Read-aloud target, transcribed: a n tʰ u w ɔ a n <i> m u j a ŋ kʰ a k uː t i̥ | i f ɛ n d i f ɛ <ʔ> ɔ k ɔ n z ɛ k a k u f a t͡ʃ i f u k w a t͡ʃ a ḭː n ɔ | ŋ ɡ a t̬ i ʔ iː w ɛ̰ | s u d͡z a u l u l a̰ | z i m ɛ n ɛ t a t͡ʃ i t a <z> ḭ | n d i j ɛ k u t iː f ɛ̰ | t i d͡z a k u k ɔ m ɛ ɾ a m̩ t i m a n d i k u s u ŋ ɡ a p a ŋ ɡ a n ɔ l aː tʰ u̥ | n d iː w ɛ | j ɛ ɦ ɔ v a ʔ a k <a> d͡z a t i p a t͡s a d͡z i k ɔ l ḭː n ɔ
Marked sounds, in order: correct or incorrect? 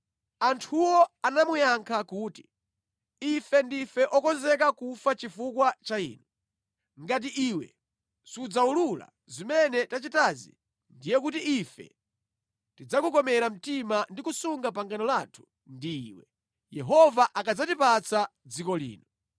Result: incorrect, correct, correct, correct

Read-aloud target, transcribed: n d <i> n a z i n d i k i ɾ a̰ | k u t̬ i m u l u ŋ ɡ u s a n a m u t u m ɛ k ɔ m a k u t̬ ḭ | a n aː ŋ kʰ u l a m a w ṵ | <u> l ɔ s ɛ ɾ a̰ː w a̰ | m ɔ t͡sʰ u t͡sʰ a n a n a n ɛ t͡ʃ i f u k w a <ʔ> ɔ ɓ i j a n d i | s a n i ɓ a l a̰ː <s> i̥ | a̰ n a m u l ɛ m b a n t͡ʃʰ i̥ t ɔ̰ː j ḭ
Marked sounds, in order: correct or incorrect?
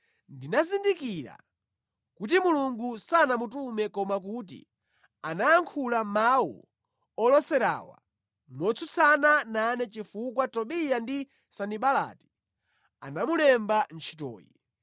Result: correct, incorrect, incorrect, incorrect

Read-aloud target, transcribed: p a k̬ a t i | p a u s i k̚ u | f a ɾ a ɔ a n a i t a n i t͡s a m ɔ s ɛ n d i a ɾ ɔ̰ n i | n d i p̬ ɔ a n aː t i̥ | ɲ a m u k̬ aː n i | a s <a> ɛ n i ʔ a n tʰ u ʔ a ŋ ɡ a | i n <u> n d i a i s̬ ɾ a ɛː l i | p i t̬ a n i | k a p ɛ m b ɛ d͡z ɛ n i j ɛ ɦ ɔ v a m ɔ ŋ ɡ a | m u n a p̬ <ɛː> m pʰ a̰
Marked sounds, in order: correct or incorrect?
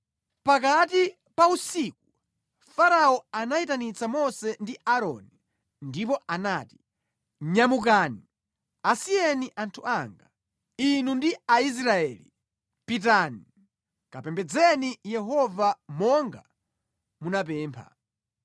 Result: incorrect, correct, correct

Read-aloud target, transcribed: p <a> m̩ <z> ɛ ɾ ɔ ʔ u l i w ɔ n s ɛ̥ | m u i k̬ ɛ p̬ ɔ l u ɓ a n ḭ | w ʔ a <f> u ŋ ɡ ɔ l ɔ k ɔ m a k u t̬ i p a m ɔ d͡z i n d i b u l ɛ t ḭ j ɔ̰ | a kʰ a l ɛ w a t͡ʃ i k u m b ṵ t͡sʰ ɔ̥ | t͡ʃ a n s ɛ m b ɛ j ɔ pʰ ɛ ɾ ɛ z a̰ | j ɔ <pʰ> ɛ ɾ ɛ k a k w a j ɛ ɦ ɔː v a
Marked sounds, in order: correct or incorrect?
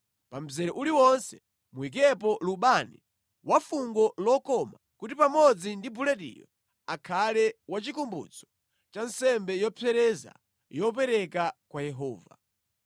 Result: correct, correct, correct, incorrect

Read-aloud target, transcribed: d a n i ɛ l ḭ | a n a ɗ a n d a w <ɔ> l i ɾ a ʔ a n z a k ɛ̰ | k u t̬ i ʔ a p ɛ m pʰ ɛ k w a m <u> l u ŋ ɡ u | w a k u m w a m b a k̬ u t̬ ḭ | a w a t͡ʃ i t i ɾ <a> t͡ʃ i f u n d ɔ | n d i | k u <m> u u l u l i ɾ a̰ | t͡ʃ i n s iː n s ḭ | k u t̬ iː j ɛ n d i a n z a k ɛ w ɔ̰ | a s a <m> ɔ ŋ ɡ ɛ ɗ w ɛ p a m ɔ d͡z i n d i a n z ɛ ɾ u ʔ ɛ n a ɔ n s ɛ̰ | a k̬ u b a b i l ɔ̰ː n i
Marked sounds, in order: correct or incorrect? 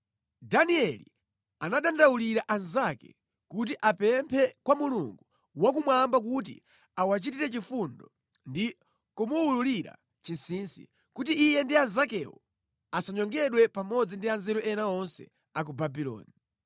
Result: incorrect, correct, incorrect, correct, incorrect

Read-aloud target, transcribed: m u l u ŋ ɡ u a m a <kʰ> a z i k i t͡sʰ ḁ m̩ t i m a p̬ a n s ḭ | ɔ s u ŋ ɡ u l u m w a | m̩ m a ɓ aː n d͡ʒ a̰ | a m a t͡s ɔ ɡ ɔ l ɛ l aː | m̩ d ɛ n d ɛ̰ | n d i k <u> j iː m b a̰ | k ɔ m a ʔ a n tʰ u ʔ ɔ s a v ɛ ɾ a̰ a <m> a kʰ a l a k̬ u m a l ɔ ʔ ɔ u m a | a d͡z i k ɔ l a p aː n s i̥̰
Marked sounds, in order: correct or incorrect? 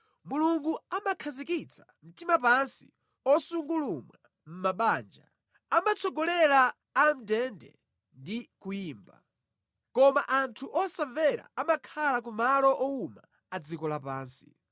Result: correct, correct, correct

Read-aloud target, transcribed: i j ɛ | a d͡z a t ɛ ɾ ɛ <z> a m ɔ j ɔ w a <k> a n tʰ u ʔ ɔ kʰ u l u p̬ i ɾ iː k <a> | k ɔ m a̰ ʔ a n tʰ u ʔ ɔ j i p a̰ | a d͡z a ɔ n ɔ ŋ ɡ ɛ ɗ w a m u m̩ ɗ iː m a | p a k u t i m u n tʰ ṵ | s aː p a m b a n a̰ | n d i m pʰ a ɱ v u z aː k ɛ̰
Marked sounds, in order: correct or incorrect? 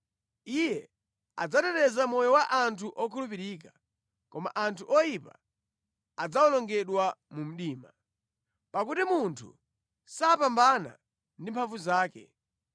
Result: correct, incorrect, correct

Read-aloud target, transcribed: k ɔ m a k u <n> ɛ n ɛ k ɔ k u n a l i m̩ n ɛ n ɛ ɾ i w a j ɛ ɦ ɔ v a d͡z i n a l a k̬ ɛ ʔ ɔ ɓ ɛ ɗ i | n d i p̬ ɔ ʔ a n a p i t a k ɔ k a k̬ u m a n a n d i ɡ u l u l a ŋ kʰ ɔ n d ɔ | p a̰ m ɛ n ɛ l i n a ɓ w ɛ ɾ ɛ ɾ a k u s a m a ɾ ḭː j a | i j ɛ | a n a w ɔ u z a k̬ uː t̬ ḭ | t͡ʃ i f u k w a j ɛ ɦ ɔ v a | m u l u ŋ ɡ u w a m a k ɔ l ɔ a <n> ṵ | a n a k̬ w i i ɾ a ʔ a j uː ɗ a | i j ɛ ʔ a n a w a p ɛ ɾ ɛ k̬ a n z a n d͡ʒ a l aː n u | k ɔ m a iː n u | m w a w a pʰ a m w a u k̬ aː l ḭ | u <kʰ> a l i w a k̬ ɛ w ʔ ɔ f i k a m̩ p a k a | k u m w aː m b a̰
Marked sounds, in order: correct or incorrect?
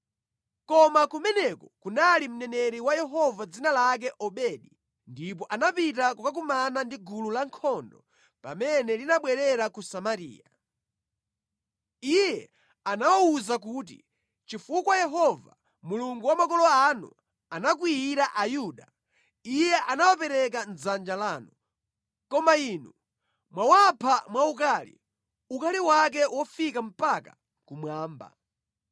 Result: incorrect, correct, incorrect

